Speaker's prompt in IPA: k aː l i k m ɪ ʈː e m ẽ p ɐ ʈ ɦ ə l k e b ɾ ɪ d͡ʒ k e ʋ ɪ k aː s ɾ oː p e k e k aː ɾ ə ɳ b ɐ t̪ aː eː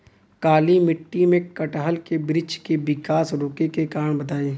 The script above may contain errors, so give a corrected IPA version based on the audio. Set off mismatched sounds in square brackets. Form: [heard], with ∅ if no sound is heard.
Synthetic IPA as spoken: k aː l i [∅] m ɪ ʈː [i] m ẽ [k] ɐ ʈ ɦ ə l k e b ɾ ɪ d͡ʒ k e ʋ ɪ k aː s ɾ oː [k] e k e k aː ɾ ə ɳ b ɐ t̪ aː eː